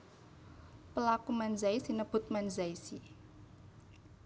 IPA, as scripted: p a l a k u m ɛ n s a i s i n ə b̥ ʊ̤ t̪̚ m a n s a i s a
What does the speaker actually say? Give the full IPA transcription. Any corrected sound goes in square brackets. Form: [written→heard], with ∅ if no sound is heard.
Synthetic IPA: p [a→ə] l a k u m [ɛ→a] n [s→z] a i s i n ə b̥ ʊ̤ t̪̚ m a n [s→z] a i s [a→i]